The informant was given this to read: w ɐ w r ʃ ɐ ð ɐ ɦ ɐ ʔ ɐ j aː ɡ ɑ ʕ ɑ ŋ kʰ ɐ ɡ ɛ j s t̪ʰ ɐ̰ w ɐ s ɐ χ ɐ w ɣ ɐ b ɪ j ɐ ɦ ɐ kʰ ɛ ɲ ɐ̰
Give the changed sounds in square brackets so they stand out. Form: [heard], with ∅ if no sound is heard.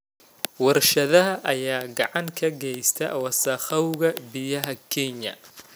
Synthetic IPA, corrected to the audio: w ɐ [∅] r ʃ ɐ ð ɐ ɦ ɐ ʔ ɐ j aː ɡ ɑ ʕ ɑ ŋ kʰ ɐ ɡ ɛ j s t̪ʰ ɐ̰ w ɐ s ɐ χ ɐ w ɣ ɐ b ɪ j ɐ ɦ ɐ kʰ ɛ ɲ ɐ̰